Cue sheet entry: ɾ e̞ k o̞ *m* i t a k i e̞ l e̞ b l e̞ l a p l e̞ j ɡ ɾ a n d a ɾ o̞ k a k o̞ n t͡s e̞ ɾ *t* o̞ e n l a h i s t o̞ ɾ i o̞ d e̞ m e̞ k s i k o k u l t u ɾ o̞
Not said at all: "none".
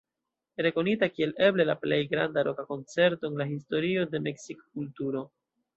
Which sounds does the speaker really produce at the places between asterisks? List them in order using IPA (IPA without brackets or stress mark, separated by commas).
n, t